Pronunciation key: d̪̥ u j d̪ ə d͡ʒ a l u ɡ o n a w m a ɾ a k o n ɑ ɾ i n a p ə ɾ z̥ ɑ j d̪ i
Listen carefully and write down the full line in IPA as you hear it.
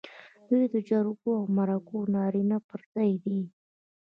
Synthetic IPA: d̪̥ u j d̪ ə d͡ʒ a ɾ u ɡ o a w m a ɾ a k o n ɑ ɾ i n a p ə ɾ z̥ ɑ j d̪ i